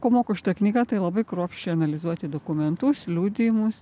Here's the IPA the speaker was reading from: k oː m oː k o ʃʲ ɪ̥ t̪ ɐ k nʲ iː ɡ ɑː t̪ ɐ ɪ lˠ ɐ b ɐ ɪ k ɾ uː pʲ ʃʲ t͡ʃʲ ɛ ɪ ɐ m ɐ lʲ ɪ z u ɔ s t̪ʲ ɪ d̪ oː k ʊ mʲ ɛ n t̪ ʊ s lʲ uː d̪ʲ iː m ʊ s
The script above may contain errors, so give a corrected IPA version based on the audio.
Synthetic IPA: k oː m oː k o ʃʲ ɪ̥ t̪ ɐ k nʲ iː ɡ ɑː t̪ ɐ ɪ lˠ ɐ b ɐ ɪ k ɾ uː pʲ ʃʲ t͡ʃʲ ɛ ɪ ɐ n ɐ lʲ ɪ z u ɔ t̪ʲ ɪ d̪ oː k ʊ mʲ ɛ n t̪ ʊ s lʲ uː d̪ʲ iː m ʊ s

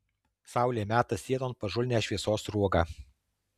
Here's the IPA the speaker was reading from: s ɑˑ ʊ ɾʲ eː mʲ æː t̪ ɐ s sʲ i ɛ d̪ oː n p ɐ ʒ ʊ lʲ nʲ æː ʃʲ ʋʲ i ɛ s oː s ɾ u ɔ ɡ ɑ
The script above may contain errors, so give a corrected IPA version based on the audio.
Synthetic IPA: s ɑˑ ʊ lʲ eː mʲ æː t̪ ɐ s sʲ i ɛ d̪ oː n p ɐ ʒ ʊ lʲ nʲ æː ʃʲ ʋʲ i ɛ s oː s ɾ u ɔ ɡ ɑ

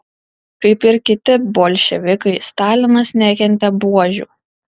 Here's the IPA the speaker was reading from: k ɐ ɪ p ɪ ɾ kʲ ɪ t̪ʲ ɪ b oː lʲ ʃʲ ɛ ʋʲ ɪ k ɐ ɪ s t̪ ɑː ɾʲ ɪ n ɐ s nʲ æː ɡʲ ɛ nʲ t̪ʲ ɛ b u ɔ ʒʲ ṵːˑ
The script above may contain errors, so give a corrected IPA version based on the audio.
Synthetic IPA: k ɐ ɪ p ɪ ɾ kʲ ɪ t̪ʲ ɪ b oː lʲ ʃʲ ɛ ʋʲ ɪ k ɐ ɪ s t̪ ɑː lʲ ɪ n ɐ s nʲ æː kʲ ɛ nʲ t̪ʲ ɛ b u ɔ ʒʲ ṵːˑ

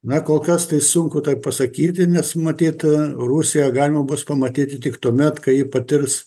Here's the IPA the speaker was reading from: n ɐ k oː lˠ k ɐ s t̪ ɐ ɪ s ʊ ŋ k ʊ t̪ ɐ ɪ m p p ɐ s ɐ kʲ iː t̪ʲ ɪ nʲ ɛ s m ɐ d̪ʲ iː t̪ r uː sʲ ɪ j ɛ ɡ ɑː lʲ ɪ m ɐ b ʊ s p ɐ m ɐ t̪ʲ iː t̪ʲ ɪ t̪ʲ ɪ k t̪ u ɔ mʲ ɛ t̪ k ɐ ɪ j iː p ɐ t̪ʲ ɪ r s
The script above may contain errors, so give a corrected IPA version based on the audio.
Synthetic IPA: n ɐ k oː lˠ k ɐ s t̪ ɐ ɪ s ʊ ŋ k ʊ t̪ ɐ ɪ p p ɐ s ɐ kʲ iː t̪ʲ ɪ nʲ ɛ s m ɐ t̪ʲ iː t̪ r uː sʲ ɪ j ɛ ɡ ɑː lʲ ɪ m ɐ b ʊ s p ɐ m ɐ t̪ʲ iː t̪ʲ ɪ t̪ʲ ɪ k t̪ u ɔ mʲ ɛ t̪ k ɐ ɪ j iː p ɐ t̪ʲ ɪ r s

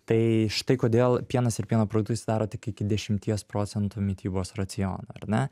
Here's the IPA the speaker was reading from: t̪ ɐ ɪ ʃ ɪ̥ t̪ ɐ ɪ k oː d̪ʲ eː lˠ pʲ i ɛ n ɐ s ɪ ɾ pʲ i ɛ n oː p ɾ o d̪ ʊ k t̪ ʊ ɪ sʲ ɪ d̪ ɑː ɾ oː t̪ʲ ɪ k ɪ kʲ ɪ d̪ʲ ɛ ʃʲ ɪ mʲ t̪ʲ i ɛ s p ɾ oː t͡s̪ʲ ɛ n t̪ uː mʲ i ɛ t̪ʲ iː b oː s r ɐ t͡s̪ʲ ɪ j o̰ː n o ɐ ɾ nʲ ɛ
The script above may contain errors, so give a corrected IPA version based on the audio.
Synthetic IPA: t̪ ɐ ɪ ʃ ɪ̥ t̪ ɐ ɪ k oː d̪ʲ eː lˠ pʲ i ɛ n ɐ s ɪ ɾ pʲ i ɛ n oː p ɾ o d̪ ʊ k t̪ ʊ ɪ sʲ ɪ d̪ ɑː ɾ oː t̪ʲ ɪ k ɪ kʲ ɪ d̪ʲ ɛ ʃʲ ɪ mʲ t̪ʲ i ɛ s p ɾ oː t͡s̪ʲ ɛ n t̪ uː mʲ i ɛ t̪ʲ iː b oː s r ɐ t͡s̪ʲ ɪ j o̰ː n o ɐ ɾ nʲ ɛ

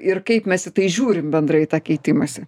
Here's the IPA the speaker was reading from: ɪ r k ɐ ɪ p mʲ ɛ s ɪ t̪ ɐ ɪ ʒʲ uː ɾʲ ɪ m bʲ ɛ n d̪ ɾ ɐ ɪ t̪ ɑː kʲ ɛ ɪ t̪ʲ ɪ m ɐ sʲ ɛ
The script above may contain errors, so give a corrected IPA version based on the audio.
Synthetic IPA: ɪ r k ɐ ɪ p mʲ ɛ s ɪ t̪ ɐ ɪ ʒʲ uː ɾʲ ɪ m bʲ ɛ n d̪ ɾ ɐ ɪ t̪ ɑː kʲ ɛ ɪ t̪ʲ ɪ m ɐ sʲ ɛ

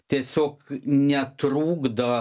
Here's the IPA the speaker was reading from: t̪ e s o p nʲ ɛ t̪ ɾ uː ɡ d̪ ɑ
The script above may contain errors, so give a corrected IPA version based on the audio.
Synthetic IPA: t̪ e s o k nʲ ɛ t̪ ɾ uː ɡ d̪ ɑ

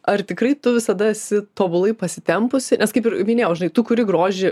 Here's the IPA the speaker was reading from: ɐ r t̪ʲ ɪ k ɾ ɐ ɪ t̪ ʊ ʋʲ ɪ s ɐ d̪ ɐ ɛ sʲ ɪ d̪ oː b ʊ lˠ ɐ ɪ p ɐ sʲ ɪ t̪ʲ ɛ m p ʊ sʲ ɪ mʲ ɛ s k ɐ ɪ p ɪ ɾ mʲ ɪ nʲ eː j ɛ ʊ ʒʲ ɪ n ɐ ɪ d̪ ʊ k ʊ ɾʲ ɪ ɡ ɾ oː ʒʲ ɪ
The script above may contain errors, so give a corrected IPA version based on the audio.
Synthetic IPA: ɐ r t̪ʲ ɪ k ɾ ɐ ɪ t̪ ʊ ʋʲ ɪ s ɐ d̪ ɐ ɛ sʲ ɪ t̪ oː b ʊ lˠ ɐ ɪ p ɐ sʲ ɪ t̪ʲ ɛ m p ʊ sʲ ɪ nʲ ɛ s k ɐ ɪ p ɪ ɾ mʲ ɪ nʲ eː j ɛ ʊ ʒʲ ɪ n ɐ ɪ t̪ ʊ k ʊ ɾʲ ɪ ɡ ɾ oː ʒʲ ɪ

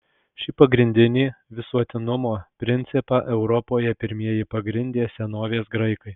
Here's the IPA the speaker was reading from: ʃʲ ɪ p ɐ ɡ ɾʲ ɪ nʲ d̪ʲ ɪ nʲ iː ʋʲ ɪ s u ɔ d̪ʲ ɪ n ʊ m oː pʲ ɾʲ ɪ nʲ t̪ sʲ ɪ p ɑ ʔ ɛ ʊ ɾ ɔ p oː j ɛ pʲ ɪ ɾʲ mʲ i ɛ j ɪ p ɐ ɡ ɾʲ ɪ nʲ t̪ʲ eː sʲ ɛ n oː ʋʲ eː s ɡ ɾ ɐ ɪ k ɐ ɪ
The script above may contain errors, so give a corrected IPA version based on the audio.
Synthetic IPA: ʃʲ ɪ p ɐ ɡ ɾʲ ɪ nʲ d̪ʲ ɪ nʲ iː ʋʲ ɪ s u ɔ t̪ʲ ɪ n ʊ m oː pʲ ɾʲ ɪ nʲ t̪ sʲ ɪ p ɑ ʔ ɛ ʊ ɾ ɔ p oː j ɛ pʲ ɪ ɾʲ mʲ i ɛ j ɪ p ɐ ɡ ɾʲ ɪ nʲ d̪ʲ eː sʲ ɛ n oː ʋʲ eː s ɡ ɾ ɐ ɪ k ɐ ɪ

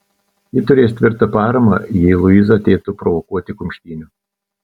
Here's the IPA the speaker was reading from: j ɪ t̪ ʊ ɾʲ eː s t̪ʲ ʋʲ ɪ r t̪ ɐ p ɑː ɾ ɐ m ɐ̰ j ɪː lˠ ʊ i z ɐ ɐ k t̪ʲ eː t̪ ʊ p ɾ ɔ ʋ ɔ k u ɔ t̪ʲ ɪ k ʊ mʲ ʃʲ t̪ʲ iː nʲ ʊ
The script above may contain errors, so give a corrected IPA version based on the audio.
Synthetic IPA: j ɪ t̪ ʊ ɾʲ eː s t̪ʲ ʋʲ ɪ ɾ t̪ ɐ p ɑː ɾ ɐ m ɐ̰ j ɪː lˠ ʊ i z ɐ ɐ t̪ʲ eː t̪ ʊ p ɾ ɔ ʋ ɔ k u ɔ t̪ʲ ɪ k ʊ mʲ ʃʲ t̪ʲ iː nʲ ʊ

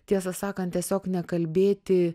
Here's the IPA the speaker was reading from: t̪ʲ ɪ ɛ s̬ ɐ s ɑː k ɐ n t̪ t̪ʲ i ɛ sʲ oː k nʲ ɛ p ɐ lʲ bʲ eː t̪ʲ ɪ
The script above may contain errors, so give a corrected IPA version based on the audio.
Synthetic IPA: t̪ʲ i ɛ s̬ ɐ s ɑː k ɐ n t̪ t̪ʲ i ɛ sʲ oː k nʲ ɛ k ɐ lʲ bʲ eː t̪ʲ ɪ

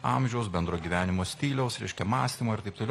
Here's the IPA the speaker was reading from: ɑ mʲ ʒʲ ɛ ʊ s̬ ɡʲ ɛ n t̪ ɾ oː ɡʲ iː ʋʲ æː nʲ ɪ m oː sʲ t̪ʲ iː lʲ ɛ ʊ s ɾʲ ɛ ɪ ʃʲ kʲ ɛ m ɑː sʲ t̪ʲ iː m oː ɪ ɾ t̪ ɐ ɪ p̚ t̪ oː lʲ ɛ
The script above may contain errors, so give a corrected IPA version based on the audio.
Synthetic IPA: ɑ mʲ ʒʲ ɛ ʊ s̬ bʲ ɛ n d̪ ɾ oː ɡʲ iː ʋʲ æː nʲ ɪ m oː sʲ t̪ʲ iː lʲ ɛ ʊ s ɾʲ ɛ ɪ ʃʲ kʲ ɛ m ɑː sʲ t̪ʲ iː m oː ɪ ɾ t̪ ɐ ɪ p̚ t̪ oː lʲ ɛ

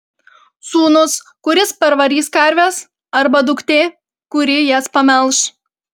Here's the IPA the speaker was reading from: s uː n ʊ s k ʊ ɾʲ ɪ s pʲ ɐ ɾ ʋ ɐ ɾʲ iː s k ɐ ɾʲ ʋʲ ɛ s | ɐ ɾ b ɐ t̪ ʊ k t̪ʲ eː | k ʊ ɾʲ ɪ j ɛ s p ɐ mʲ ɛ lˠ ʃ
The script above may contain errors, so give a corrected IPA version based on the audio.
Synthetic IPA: s uː n ʊ s k ʊ ɾʲ ɪ s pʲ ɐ ɾ ʋ ɐ ɾʲ iː s k ɐ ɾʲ ʋʲ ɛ s | ɐ ɾ b ɐ d̪ ʊ k t̪ʲ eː | k ʊ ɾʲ ɪ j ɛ s p ɐ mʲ ɛ lˠ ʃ

